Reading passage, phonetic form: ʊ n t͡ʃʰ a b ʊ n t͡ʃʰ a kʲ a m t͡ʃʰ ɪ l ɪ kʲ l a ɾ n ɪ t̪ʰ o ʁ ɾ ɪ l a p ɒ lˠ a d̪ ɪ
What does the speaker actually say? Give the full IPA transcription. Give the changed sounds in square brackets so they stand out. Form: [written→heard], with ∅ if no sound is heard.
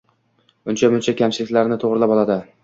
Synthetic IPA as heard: ʊ n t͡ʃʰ a [b→m] ʊ n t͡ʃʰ a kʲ a m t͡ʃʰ ɪ l ɪ kʲ l a ɾ n ɪ t̪ʰ o ʁ ɾ ɪ l a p ɒ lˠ a d̪ ɪ